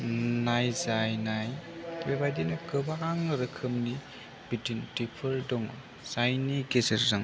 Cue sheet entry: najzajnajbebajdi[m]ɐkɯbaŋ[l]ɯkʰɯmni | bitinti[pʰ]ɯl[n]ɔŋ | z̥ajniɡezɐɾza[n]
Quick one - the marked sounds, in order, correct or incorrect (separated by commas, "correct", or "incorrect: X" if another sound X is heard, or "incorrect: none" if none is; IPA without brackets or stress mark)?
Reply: incorrect: n, incorrect: ɾ, correct, incorrect: d, incorrect: ŋ